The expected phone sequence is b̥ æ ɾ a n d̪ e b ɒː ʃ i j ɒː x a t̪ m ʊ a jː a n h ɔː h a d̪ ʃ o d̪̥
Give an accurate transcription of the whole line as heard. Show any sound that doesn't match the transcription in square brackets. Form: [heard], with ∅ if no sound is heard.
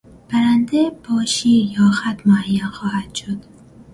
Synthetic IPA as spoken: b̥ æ ɾ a n d̪ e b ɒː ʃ i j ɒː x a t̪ m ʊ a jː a n [x] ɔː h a d̪ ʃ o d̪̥